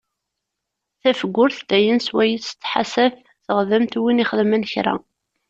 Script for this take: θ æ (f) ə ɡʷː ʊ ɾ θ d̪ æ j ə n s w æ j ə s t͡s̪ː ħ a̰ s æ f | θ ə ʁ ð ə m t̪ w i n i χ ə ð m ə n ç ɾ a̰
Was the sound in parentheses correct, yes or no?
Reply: yes